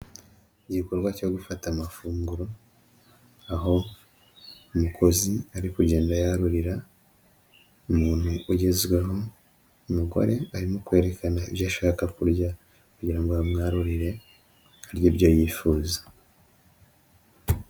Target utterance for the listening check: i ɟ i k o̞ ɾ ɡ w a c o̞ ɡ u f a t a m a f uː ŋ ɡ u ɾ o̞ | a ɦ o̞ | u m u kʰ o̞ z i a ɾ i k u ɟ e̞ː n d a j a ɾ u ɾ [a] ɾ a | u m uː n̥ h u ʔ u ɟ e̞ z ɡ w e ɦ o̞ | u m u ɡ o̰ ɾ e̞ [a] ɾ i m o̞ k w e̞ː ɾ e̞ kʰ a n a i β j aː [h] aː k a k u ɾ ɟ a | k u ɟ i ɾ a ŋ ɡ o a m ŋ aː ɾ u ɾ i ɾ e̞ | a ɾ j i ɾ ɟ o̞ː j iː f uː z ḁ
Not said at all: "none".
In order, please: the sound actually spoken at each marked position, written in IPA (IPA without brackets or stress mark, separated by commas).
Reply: i, a, ʃ